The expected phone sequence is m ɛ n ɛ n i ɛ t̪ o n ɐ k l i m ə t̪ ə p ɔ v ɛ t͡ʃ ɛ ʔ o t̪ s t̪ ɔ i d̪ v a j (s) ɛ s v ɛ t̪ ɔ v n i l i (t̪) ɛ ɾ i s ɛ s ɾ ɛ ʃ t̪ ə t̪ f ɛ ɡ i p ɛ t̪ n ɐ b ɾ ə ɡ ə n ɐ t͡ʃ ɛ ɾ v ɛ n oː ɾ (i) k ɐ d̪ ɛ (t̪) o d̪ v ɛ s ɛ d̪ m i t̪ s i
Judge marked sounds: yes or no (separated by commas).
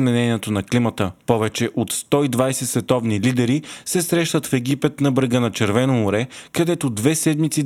yes, no, no, yes